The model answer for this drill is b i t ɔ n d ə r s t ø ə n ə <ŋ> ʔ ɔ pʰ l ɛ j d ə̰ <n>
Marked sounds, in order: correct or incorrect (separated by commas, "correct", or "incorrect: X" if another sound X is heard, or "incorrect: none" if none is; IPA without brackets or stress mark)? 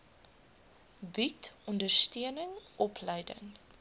correct, incorrect: ŋ